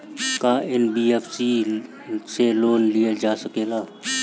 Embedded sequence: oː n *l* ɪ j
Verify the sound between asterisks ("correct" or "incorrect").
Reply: correct